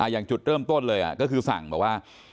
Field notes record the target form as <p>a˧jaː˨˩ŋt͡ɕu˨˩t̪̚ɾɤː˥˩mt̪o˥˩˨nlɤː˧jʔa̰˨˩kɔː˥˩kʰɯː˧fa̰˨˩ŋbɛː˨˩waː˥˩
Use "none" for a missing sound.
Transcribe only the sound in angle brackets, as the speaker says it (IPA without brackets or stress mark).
ʔ